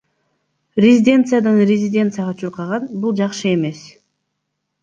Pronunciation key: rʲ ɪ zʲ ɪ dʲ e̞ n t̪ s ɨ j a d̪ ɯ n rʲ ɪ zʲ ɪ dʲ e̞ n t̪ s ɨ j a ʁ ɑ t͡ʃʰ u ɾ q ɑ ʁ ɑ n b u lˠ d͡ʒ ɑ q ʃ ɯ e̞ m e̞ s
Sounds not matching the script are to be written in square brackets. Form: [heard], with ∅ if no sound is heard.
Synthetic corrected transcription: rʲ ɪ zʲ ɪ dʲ e̞ n t̪ s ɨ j a d̪ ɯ n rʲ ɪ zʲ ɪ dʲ e̞ n t̪ s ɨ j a ʁ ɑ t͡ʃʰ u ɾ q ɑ ʁ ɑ n b u lˠ d͡ʒ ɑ q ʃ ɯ e̞ m e̞ s